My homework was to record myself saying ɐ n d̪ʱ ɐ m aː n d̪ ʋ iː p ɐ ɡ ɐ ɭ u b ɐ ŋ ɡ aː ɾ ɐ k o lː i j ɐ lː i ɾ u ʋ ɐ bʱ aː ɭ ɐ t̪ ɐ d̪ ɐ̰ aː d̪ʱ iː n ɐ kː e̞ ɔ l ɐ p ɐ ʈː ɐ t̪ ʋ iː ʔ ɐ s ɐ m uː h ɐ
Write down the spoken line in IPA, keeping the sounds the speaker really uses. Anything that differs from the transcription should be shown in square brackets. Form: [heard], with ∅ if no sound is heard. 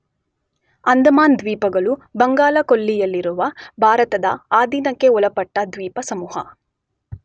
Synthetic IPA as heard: ɐ n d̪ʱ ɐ m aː n d̪ ʋ iː p ɐ ɡ ɐ ɭ u b ɐ ŋ ɡ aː [l] ɐ k o lː i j ɐ lː i ɾ u ʋ ɐ bʱ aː [ɾ] ɐ t̪ ɐ d̪ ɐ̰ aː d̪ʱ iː n ɐ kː e̞ ɔ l ɐ p ɐ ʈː ɐ [d̪] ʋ iː [p] ɐ s ɐ m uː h ɐ